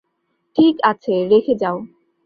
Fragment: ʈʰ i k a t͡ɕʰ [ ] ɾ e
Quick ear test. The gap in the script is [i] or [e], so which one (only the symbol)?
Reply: e